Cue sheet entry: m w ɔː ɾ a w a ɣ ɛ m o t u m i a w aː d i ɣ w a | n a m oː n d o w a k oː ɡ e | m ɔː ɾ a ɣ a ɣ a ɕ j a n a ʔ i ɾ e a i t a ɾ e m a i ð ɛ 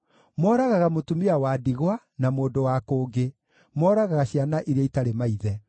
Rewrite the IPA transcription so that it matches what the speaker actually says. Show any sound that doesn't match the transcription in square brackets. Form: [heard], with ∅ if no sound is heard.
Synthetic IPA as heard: m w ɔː ɾ a [ɣ] a ɣ [a] m o t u m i a w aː d i ɣ w a | n a m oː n d o w a k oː ɡ e | m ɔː ɾ a ɣ a ɣ a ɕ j a n a ʔ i ɾ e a i t a ɾ e m a i ð ɛ